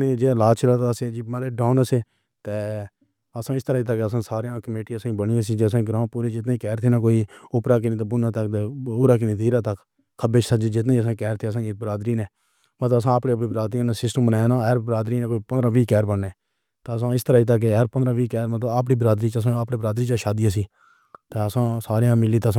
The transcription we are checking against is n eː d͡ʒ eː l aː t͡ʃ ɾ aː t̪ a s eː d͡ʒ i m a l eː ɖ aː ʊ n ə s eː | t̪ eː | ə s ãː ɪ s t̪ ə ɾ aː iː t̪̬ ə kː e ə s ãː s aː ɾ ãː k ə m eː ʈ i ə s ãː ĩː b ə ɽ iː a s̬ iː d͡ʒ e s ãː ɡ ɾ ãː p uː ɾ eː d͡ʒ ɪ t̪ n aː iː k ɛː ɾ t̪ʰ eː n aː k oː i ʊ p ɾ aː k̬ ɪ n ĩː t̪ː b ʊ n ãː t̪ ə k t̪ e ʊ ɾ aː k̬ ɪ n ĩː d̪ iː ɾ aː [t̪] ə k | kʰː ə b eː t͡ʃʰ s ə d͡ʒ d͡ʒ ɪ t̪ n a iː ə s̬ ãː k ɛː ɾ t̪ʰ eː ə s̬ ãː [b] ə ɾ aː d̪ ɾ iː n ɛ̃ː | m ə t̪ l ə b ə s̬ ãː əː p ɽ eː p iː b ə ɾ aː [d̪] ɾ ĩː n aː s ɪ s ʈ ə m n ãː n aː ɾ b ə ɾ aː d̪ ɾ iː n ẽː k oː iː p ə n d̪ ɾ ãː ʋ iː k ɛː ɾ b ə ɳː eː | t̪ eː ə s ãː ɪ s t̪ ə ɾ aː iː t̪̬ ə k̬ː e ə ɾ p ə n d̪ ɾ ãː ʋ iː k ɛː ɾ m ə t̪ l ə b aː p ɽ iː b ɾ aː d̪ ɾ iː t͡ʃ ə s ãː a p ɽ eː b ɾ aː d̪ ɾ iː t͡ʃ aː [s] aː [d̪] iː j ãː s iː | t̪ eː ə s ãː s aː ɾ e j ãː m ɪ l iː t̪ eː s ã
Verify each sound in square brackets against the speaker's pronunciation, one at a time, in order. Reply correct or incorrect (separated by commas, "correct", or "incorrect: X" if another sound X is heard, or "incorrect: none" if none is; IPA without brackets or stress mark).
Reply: correct, correct, correct, incorrect: ʃ, correct